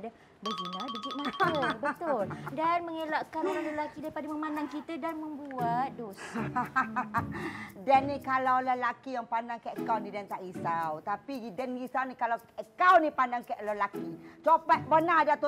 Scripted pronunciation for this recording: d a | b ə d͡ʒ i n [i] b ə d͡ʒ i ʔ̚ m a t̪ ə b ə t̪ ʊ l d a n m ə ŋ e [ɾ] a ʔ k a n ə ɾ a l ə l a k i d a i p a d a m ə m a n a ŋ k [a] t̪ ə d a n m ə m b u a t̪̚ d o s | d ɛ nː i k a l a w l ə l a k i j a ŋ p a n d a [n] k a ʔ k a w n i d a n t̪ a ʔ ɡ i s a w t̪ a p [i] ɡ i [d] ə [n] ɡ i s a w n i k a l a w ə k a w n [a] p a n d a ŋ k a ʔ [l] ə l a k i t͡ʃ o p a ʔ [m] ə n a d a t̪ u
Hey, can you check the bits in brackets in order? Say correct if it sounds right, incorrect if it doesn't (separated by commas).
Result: incorrect, incorrect, incorrect, incorrect, correct, correct, correct, incorrect, correct, incorrect